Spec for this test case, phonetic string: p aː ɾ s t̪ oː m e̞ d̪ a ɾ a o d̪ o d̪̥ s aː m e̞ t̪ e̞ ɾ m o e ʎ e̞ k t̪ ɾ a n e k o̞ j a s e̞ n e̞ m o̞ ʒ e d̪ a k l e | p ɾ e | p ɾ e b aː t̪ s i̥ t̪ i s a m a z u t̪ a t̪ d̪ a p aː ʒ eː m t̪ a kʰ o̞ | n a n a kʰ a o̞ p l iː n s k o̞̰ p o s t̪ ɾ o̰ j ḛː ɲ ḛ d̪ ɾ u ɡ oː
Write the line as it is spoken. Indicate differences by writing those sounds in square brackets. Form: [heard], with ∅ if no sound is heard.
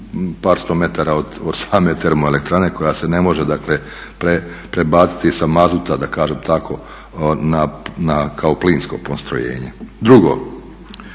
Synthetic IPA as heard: p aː ɾ s t̪ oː m e̞ [t̪] a ɾ a o d̪ o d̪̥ s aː m e̞ t̪ e̞ ɾ m o e [l] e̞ k t̪ ɾ a n e k o̞ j a s e̞ n e̞ m o̞ ʒ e d̪ a k l e | p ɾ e | p ɾ e b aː t̪ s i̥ t̪ i s a m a z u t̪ a [∅] d̪ a [k] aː ʒ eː m t̪ a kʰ o̞ | n a n a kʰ a o̞ p l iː n s k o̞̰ p o s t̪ ɾ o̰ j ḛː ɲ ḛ d̪ ɾ u ɡ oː